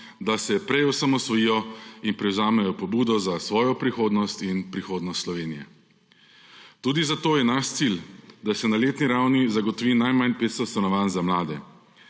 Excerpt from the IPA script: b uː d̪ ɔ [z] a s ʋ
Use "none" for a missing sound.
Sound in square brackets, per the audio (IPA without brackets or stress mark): z